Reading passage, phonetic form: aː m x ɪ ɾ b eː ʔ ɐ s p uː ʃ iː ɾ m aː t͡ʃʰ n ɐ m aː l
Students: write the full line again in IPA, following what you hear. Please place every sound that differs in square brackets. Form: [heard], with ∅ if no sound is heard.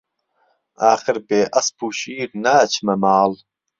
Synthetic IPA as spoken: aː [∅] x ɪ ɾ b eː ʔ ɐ s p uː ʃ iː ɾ [n] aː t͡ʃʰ [m] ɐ m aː l